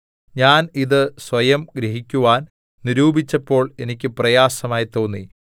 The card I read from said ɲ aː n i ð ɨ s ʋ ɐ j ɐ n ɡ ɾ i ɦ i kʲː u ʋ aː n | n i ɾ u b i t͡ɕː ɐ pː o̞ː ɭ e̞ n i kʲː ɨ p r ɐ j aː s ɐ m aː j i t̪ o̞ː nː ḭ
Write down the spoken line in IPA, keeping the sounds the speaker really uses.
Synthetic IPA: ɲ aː n i ð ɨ s ʋ ɐ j ɐ m ɡ ɾ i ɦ i kʲː u ʋ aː n | n i ɾ uː b i t͡ɕː ɐ pː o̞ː ɭ e̞ n i kʲː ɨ p r ɐ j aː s ɐ m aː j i t̪ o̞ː nː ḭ